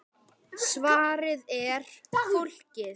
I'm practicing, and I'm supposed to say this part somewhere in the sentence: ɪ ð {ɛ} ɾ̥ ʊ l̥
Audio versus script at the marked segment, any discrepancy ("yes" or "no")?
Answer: no